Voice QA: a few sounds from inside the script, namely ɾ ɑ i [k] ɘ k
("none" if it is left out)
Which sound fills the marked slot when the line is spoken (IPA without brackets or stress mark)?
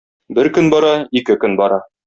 k